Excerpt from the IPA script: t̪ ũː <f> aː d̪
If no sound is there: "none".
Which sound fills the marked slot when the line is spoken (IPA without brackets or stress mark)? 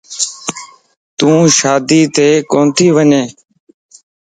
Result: ʃ